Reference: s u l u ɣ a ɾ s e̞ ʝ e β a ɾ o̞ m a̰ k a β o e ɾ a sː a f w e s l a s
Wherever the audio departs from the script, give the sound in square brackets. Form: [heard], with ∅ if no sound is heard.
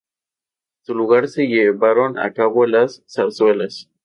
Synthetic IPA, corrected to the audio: s u l u ɣ a ɾ s e̞ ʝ e β a ɾ o̞ [n] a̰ k a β o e [l] a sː a [s] w e [∅] l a s